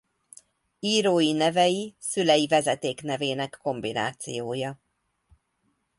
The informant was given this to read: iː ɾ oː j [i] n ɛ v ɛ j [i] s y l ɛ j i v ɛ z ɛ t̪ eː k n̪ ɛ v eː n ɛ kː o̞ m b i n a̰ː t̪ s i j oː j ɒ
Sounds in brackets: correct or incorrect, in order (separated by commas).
correct, correct